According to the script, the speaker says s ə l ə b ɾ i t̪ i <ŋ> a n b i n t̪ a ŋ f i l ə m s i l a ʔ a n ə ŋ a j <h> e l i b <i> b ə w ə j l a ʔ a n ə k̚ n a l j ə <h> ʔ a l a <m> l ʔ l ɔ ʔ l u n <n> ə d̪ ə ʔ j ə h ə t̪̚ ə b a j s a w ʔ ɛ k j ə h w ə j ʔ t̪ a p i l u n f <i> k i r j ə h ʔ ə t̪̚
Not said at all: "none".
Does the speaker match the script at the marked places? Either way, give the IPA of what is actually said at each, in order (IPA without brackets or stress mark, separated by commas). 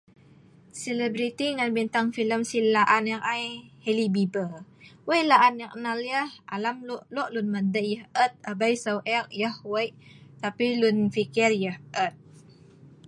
ŋ, h, i, h, m, m, i